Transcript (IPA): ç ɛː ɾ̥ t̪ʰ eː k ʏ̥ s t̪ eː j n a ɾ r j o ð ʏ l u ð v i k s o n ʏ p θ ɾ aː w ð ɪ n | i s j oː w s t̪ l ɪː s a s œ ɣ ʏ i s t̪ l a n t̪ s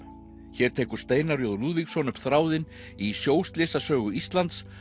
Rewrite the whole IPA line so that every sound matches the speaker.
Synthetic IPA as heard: ç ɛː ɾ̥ t̪ʰ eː k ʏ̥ s t̪ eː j n a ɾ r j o ð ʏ l u ð v i k s ɔ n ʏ p θ ɾ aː w ð ɪ n | i s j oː w s t̪ l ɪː s a s œː ɣ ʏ i s t̪ l a n t̪ s